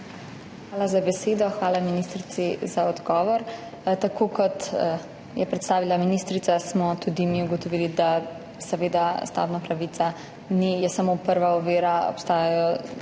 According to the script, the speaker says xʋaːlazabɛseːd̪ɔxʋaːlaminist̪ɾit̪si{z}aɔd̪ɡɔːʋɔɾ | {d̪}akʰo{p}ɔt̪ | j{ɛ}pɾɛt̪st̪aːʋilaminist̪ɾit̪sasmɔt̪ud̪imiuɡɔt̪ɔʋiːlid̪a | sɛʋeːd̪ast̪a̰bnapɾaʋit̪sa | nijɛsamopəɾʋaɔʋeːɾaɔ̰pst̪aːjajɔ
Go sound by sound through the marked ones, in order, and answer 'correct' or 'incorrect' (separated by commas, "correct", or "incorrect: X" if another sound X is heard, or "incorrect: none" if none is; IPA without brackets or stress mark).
correct, incorrect: t̪, incorrect: k, correct